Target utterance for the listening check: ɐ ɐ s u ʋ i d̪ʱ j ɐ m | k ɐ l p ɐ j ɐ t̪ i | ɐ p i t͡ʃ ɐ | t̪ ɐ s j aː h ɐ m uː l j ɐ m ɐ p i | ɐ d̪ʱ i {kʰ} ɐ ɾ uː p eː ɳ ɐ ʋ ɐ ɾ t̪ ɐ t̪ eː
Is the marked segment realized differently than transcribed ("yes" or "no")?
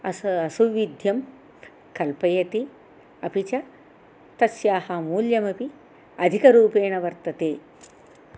yes